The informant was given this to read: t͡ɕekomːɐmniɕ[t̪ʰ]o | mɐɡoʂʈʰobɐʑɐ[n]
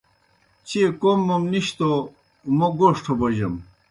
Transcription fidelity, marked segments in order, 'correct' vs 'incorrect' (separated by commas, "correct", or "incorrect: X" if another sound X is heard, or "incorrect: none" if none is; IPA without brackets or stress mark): incorrect: t̪, incorrect: m